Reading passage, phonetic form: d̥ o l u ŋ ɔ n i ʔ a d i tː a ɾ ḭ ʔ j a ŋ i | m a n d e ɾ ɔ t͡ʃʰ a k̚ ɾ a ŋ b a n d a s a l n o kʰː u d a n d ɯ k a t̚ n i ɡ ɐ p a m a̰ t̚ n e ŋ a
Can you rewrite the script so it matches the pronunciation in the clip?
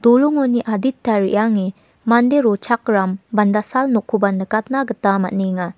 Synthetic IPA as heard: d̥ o l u ŋ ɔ n i ʔ a d i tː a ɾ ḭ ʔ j a ŋ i | m a n d e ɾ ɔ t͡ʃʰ a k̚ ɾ a m b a n d a s a l n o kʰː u b a n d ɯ k a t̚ n a ɡ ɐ t a m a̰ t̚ n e ŋ a